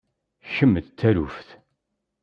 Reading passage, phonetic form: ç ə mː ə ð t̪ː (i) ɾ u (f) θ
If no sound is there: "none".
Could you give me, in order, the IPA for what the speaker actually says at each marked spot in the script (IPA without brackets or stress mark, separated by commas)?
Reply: æ, f